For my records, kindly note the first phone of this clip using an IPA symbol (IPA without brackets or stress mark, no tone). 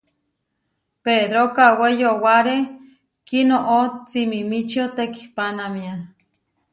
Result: p